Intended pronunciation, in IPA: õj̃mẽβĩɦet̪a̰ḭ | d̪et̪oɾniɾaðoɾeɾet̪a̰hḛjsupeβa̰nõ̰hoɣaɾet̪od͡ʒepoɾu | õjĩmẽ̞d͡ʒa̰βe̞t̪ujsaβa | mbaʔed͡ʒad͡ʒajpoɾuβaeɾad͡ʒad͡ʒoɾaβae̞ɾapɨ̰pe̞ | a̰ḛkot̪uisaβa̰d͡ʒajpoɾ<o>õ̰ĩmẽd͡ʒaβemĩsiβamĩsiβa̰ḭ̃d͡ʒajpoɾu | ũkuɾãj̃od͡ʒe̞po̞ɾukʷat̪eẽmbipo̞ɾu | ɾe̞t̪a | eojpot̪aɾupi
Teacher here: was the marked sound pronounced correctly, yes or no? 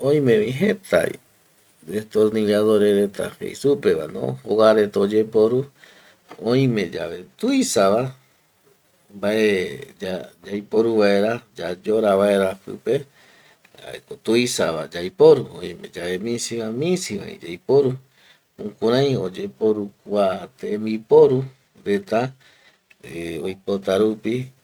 no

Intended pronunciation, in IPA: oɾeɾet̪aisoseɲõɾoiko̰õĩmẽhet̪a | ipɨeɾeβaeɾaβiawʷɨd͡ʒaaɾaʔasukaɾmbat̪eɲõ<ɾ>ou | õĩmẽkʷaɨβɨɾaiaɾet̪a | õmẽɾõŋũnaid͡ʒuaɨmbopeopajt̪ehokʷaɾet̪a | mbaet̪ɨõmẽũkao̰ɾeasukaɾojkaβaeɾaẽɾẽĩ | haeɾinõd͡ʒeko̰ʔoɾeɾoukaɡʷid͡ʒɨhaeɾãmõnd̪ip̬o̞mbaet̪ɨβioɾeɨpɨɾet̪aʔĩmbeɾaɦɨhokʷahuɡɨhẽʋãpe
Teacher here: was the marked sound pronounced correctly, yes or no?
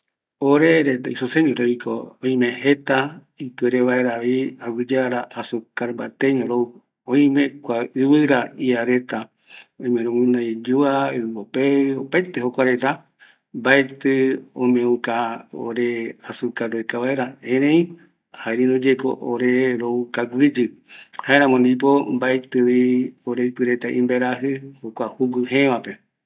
yes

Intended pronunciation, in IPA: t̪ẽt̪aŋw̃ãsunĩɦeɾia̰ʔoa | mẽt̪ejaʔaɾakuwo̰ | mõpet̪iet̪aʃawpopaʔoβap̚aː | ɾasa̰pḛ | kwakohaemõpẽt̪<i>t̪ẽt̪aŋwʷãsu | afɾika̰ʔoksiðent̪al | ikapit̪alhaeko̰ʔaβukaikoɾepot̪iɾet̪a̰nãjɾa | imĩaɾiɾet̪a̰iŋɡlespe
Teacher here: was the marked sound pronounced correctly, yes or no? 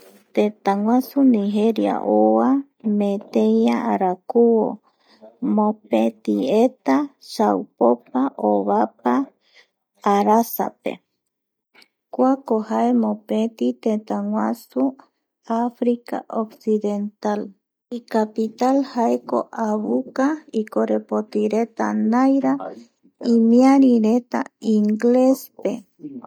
yes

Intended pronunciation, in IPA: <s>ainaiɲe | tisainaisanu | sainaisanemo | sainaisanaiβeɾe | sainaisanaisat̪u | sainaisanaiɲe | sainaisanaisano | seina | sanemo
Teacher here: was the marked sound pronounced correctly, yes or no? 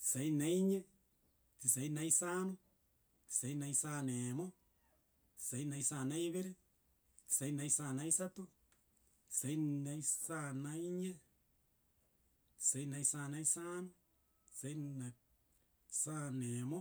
yes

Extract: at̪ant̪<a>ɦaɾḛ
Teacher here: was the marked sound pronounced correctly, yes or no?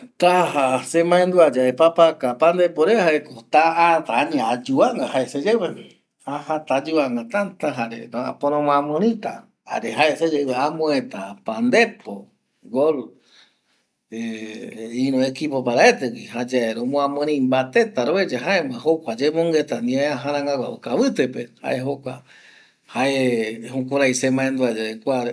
yes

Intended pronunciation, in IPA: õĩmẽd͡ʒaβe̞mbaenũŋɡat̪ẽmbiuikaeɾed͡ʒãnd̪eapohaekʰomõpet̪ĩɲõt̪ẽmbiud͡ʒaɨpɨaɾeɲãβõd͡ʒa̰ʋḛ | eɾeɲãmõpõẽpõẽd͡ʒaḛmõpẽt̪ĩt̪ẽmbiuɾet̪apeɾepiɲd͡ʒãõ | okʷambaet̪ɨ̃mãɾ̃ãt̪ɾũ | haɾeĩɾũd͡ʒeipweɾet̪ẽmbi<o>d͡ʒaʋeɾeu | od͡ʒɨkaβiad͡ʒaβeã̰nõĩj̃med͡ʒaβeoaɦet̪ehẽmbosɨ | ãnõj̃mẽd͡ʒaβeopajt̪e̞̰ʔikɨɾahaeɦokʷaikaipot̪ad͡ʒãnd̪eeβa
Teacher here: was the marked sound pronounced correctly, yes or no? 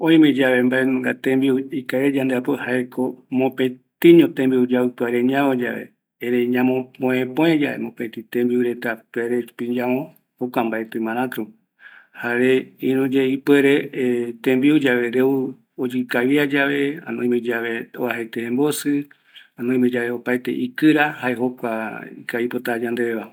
no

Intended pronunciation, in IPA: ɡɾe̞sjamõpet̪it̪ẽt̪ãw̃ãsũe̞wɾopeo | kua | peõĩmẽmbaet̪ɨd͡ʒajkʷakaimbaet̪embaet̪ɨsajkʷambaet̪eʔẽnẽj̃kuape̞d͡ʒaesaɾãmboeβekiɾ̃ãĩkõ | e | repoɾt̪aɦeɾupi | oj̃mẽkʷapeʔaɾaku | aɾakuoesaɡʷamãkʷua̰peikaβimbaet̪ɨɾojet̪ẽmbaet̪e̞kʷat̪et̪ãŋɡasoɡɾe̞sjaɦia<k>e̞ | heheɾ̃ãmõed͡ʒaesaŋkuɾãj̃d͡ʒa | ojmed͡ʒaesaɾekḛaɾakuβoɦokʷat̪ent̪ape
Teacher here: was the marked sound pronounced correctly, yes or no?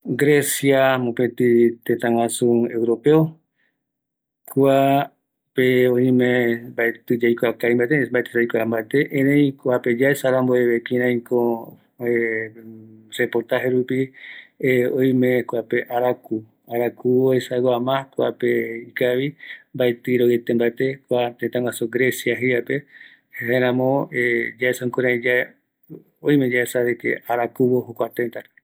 no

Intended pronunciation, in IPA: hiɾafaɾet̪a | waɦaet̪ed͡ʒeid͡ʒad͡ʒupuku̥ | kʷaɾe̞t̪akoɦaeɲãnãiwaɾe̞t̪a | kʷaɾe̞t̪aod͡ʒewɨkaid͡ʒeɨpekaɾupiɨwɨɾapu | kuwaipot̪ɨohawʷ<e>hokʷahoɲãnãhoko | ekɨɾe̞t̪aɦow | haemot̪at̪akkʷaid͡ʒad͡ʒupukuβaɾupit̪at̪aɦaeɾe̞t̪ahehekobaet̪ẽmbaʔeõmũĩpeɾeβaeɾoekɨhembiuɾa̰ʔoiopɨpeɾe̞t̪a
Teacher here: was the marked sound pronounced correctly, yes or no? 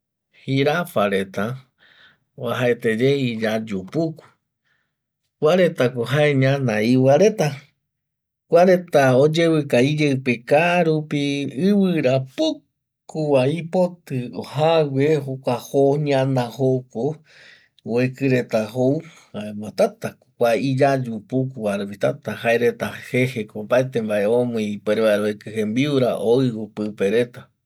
yes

